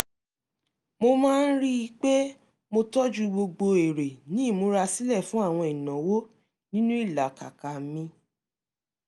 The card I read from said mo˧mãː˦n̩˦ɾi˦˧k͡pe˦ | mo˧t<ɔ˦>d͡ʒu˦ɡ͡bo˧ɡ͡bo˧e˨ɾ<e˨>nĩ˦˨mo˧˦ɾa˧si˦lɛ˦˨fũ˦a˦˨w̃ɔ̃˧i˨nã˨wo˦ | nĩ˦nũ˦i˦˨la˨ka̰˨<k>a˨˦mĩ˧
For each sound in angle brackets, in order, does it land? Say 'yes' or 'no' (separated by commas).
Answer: yes, yes, yes